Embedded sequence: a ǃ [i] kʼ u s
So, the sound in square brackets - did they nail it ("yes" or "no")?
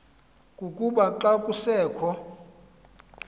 no